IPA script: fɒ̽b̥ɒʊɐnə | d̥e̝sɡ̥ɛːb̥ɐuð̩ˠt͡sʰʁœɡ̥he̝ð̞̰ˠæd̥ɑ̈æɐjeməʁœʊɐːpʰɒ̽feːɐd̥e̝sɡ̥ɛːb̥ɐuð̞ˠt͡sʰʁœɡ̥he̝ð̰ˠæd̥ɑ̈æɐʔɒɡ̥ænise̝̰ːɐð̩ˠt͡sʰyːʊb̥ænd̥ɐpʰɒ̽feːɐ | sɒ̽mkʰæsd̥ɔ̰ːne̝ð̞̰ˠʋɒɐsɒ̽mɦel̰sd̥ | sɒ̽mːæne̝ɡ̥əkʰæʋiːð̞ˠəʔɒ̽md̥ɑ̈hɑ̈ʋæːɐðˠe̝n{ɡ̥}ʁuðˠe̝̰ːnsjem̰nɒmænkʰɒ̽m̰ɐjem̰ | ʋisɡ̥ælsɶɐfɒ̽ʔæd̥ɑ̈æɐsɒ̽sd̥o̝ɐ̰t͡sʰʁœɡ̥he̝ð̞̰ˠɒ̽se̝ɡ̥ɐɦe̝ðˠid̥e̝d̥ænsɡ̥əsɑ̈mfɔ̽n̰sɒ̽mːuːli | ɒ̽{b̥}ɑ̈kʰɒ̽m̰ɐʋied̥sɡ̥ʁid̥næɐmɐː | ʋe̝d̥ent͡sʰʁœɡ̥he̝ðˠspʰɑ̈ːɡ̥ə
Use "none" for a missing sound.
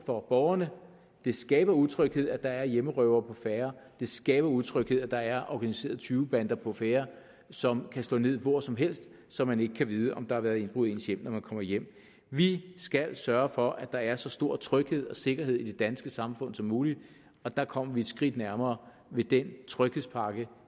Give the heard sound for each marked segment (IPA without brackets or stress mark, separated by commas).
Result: b̥, d̥